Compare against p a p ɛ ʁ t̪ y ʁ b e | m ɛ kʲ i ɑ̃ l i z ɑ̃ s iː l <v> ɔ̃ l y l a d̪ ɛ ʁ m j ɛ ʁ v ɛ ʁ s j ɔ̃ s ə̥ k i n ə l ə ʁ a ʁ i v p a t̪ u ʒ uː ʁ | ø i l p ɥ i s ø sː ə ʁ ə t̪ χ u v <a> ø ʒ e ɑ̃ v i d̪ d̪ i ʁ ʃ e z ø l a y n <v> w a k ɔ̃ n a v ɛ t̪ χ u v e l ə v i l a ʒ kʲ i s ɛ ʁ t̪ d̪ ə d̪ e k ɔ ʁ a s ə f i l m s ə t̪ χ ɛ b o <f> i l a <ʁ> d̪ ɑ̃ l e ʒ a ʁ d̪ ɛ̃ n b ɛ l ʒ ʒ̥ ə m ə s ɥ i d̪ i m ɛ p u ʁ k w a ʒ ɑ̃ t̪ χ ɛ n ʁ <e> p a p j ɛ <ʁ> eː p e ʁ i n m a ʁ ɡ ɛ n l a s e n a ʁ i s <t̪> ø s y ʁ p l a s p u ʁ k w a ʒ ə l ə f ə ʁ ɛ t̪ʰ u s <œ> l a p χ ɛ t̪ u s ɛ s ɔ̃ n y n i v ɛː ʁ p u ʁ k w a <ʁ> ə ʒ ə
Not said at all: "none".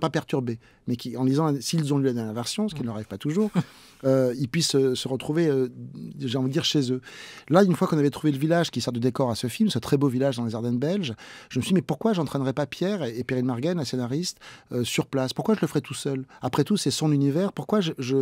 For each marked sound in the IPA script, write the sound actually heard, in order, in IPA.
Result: z, e, f, v, ʒ, ɛ, ʁ, t̪, œ, ʒ

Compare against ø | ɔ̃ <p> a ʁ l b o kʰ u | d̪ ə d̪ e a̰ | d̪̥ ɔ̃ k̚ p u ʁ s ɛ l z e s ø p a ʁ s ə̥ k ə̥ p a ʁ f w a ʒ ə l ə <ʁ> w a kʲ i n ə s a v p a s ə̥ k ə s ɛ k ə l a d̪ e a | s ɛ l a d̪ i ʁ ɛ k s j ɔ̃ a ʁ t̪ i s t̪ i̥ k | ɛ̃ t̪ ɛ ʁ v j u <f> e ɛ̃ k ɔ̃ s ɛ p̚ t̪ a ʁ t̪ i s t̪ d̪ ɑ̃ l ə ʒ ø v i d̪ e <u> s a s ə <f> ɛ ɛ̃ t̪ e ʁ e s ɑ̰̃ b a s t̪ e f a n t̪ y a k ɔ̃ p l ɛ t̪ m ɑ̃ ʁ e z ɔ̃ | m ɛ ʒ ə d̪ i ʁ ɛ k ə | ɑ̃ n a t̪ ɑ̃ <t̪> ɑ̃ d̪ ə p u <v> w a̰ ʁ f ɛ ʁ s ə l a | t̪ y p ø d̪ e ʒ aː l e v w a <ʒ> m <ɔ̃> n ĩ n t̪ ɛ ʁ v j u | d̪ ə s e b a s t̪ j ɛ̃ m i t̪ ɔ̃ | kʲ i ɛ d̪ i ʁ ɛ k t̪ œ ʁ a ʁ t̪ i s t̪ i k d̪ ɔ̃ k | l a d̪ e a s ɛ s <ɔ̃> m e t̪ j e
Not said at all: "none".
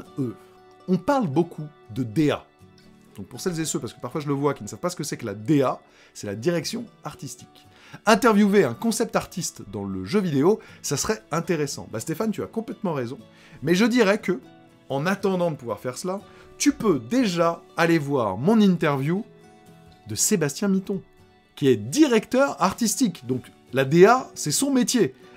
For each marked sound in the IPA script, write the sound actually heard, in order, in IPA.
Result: p, v, v, o, χ, d̪, v, ʁ, ɔ̃, ɔ̃

